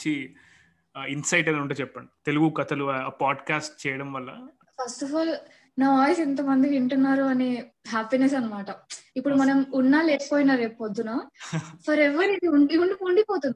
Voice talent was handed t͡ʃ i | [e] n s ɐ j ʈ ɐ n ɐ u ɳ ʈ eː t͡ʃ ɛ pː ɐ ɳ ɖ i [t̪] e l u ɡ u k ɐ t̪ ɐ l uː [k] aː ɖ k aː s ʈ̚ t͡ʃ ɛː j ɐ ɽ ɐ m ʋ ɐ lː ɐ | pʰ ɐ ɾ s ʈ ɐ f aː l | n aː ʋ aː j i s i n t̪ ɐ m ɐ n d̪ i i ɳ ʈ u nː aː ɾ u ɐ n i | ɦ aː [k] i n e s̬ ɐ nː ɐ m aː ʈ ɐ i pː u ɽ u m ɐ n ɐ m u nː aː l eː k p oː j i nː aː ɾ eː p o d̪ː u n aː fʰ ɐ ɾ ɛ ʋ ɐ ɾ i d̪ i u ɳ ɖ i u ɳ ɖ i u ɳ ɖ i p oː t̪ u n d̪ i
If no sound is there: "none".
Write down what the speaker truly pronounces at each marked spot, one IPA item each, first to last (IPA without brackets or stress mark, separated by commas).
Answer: i, t̪, p, p